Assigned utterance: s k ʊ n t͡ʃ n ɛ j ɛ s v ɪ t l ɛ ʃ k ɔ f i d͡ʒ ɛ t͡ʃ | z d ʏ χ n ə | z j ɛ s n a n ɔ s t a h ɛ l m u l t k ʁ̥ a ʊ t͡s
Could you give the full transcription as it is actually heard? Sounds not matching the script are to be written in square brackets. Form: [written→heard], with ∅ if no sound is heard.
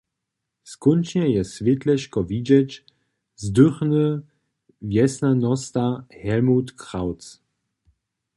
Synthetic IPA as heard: s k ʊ n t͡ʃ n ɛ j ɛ s v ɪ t l ɛ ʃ k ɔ [f→v] i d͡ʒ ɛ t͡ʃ | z d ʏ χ n ə | [z→v] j ɛ s n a n ɔ s t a h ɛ l m u [l→∅] t k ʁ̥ a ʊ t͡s

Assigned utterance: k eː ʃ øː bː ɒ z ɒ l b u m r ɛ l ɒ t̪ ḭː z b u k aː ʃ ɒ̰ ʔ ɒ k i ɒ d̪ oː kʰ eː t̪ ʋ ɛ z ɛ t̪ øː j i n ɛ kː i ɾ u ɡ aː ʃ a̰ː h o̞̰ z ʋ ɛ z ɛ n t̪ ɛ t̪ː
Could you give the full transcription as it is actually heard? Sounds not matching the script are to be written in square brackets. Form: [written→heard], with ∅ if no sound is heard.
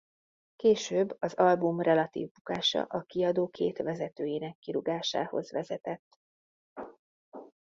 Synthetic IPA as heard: k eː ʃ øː bː ɒ z ɒ l b u m r ɛ l ɒ t̪ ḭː [z→v] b u k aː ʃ ɒ̰ ʔ ɒ k i ɒ d̪ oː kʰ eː t̪ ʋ ɛ z ɛ t̪ øː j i n ɛ kː i ɾ u ɡ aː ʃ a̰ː h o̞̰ z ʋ ɛ z ɛ [n→∅] t̪ ɛ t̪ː

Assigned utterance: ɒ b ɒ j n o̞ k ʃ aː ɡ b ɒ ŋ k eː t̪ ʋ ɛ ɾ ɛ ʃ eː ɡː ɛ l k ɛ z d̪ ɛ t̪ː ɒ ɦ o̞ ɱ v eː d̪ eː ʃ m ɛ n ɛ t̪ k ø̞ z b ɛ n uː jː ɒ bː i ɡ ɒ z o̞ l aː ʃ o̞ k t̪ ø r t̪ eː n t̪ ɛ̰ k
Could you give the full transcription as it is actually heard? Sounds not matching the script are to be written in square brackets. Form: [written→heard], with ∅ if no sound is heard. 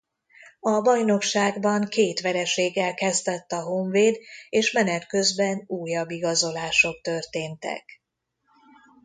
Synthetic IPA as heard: ɒ b ɒ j n o̞ k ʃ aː ɡ b ɒ ŋ k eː t̪ ʋ ɛ ɾ ɛ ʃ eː ɡː ɛ l k ɛ z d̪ ɛ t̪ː ɒ ɦ o̞ ɱ v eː d̪ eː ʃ m ɛ n ɛ t̪ k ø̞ z b ɛ n uː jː ɒ bː i ɡ ɒ z o̞ l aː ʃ o̞ k t̪ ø r t̪ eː n t̪ ɛ̰ k

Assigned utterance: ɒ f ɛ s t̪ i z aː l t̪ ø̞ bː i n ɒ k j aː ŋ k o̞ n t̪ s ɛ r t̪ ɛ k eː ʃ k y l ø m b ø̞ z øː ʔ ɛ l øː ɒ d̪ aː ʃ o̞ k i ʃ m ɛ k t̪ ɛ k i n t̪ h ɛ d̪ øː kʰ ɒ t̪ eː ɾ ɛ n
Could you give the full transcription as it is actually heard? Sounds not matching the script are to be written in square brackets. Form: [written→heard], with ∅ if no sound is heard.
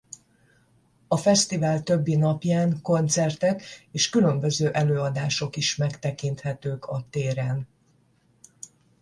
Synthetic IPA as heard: ɒ f ɛ s t̪ i [z→v] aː l t̪ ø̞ bː i n ɒ [k→p] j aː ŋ k o̞ n t̪ s ɛ r t̪ ɛ k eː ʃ k y l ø m b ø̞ z øː ʔ ɛ l øː ɒ d̪ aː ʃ o̞ k i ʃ m ɛ k t̪ ɛ k i n t̪ h ɛ [d̪→t̪] øː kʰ ɒ t̪ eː ɾ ɛ n

